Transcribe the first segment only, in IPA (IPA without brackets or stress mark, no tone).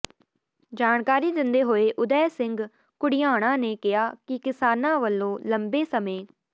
d͡ʒ